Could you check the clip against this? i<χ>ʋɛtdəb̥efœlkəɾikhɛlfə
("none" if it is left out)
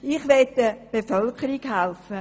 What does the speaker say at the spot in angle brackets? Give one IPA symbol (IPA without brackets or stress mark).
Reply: χ